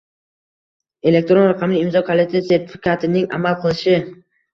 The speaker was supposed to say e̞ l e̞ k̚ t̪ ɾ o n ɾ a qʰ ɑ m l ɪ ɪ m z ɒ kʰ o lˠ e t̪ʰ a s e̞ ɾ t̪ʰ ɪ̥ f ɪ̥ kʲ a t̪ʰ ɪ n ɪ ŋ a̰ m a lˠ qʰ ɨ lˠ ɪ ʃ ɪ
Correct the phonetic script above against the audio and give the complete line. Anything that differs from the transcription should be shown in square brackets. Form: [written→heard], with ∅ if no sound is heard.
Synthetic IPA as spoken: e̞ l e̞ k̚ t̪ ɾ o n ɾ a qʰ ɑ m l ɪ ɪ m z ɒ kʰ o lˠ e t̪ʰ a s e̞ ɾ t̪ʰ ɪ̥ f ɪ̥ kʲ a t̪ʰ ɪ n ɪ ŋ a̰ m a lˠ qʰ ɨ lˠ ɪ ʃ ɪ